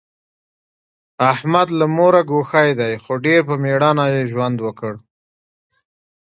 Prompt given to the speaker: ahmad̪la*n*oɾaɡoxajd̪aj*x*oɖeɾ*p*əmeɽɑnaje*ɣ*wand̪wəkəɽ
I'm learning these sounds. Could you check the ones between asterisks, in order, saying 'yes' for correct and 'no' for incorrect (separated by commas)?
no, yes, yes, no